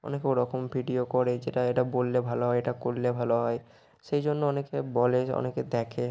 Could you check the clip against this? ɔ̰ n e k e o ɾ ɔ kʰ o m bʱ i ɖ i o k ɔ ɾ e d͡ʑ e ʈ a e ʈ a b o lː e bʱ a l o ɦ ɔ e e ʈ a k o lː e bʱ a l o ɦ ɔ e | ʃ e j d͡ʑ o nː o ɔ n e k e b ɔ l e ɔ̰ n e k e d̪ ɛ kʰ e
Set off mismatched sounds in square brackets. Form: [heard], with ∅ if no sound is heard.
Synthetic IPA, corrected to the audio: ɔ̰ n e k e o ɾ ɔ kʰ o m bʱ i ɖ i o k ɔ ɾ e d͡ʑ e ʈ a e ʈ a b o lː e bʱ a l o ɦ ɔ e e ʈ a k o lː e bʱ a l o ɦ ɔ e | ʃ e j d͡ʑ o nː o ɔ n e k e b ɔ l e ɔ̰ n e k e d̪ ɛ kʰ e